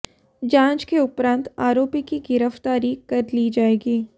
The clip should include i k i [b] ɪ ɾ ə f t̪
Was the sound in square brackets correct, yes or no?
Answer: no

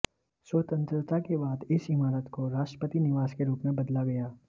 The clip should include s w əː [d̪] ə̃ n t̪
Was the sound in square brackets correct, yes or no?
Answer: no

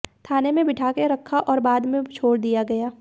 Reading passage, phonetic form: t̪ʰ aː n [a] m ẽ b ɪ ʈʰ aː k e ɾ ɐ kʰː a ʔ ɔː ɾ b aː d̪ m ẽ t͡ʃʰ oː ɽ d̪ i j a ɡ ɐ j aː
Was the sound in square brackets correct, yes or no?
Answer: no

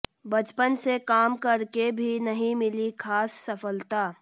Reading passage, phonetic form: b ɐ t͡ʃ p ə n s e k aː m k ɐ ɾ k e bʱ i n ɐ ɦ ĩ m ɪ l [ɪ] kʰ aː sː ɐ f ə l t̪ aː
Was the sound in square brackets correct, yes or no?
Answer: no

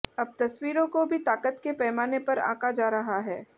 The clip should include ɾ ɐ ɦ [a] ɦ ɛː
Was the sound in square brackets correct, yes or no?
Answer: yes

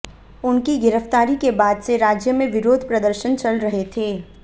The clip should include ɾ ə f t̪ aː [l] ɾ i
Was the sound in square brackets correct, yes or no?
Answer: no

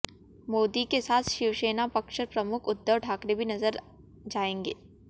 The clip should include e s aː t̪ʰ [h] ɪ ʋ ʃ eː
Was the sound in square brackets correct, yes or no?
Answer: no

